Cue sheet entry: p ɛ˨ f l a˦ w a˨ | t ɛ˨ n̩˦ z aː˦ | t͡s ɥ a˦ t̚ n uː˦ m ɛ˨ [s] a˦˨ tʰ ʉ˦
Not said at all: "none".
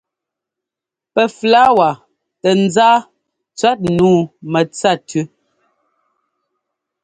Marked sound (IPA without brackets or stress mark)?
t͡s